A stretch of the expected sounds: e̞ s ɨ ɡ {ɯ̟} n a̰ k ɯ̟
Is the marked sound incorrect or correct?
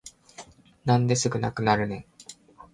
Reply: correct